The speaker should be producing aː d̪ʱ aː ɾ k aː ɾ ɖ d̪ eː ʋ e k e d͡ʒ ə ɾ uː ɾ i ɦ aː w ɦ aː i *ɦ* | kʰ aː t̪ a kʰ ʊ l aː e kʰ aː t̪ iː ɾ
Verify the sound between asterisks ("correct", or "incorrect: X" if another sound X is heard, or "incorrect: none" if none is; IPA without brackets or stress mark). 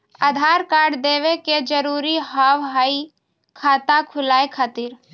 incorrect: none